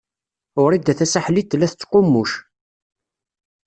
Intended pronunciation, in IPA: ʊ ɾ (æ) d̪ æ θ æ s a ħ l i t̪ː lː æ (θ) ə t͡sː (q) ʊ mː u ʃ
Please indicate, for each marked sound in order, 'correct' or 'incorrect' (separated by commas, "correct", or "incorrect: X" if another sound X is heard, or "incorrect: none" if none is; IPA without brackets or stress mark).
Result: incorrect: i, correct, correct